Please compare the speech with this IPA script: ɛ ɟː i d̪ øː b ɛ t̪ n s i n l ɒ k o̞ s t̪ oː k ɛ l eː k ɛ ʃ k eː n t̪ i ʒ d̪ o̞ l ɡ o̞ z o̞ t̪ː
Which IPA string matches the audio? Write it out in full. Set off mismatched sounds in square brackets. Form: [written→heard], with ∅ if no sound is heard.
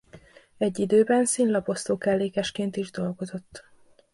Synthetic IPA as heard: ɛ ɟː i d̪ øː b ɛ [t̪→∅] n s i n l ɒ [k→p] o̞ s t̪ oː k ɛ [l→lː] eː k ɛ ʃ k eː n t̪ i ʒ d̪ o̞ l ɡ o̞ z o̞ t̪ː